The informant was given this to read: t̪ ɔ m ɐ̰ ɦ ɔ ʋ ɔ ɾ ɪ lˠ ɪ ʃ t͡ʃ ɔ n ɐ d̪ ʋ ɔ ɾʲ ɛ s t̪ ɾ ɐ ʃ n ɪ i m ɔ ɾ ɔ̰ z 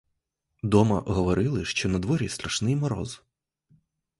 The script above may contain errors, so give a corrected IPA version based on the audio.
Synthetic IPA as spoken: d̪ ɔ m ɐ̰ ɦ ɔ ʋ ɔ ɾ ɪ lˠ ɪ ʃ t͡ʃ ɔ n ɐ d̪ ʋ ɔ ɾʲ i s t̪ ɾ ɐ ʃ n ɪ j m ɔ ɾ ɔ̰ z